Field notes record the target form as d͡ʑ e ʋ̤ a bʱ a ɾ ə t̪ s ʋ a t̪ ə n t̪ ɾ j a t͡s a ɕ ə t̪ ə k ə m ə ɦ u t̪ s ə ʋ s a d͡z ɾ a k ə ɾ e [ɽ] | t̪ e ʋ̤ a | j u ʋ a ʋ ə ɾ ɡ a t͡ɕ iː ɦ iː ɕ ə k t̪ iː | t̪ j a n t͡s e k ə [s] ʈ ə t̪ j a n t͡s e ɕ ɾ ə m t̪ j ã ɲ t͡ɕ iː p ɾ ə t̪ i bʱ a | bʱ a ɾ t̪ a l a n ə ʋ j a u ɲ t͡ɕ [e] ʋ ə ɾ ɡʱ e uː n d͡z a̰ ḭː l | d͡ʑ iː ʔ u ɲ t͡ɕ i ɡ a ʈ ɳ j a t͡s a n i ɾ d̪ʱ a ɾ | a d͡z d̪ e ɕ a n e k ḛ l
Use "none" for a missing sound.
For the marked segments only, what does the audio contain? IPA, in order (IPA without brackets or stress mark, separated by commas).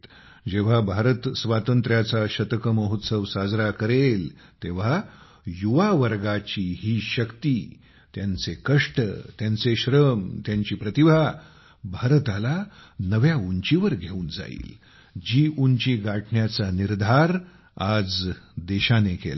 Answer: l, ʂ, i